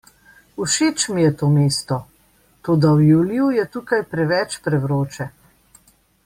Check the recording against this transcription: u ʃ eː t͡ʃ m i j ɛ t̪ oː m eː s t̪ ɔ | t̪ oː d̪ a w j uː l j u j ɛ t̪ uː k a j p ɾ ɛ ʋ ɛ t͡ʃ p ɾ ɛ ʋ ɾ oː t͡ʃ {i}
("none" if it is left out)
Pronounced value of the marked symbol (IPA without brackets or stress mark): ɛ